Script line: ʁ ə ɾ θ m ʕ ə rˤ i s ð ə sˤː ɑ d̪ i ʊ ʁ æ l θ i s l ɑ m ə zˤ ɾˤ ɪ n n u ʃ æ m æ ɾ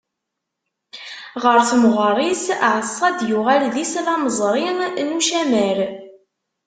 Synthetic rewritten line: ʁ ə ɾ θ m ʁ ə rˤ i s ʕ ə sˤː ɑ d̪ j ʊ ʁ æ l ð i s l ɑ m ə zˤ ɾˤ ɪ n n u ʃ æ m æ ɾ